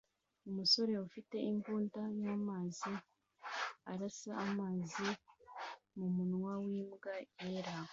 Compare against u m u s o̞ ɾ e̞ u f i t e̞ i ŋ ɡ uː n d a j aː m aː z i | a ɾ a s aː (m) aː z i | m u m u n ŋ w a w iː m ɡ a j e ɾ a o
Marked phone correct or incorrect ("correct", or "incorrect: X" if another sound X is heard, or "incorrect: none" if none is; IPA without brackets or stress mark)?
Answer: correct